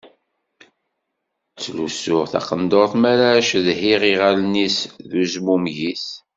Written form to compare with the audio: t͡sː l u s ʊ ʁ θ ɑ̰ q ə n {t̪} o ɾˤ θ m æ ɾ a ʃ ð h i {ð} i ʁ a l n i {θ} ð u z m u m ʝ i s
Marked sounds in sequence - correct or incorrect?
incorrect: d̪, incorrect: ʁ, incorrect: s

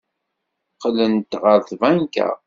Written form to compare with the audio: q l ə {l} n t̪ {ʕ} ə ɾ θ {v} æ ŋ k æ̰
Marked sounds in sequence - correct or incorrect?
incorrect: none, incorrect: ʁ, correct

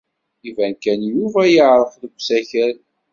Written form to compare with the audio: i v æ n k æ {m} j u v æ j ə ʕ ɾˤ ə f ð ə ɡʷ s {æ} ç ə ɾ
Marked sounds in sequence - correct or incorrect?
incorrect: n, correct

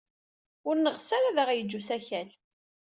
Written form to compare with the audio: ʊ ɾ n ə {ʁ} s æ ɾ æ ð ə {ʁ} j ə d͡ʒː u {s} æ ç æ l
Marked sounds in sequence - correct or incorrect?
correct, correct, correct

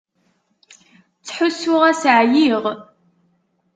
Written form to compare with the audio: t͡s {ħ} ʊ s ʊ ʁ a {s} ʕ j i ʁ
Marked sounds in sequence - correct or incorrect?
correct, correct

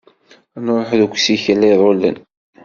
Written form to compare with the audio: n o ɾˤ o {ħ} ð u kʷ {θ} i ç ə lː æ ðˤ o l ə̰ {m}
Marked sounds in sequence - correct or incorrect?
correct, incorrect: s, incorrect: n

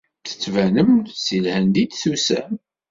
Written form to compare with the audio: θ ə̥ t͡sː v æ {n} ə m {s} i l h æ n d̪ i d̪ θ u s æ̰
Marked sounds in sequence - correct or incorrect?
correct, correct

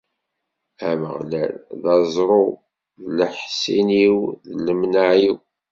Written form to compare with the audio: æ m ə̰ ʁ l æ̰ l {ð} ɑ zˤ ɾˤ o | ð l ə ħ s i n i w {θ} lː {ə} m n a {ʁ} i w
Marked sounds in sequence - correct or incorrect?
correct, incorrect: ð, correct, incorrect: ʕ

